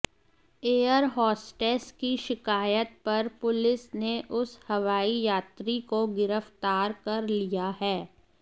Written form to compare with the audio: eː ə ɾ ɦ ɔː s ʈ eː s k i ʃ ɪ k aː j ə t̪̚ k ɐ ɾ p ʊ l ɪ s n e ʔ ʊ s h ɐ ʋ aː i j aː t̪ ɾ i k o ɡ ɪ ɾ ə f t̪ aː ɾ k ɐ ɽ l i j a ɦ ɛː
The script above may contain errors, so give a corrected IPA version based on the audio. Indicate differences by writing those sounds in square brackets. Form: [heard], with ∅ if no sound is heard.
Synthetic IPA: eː ə ɾ ɦ ɔː s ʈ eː s k i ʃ ɪ k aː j ə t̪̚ [p] ɐ ɾ p ʊ l ɪ s n e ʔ ʊ s h ɐ ʋ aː i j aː t̪ ɾ i k o ɡ ɪ ɾ ə f t̪ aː ɾ k ɐ [ɾ] l i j a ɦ ɛː